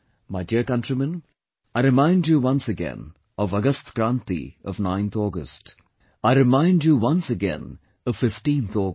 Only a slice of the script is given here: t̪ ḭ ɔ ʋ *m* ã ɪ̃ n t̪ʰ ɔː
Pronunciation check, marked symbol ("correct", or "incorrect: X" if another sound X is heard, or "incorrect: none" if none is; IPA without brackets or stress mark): incorrect: n